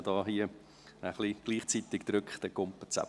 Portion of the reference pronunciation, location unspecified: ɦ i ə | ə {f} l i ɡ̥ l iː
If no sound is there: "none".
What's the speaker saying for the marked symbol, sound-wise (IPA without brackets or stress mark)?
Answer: χ